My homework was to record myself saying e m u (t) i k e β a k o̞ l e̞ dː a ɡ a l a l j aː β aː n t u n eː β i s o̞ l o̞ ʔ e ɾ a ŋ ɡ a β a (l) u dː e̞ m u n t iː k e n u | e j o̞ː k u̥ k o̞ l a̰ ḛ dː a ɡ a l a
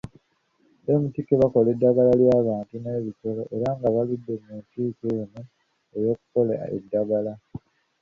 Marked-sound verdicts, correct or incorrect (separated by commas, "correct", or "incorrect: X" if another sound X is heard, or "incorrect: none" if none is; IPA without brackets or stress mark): correct, correct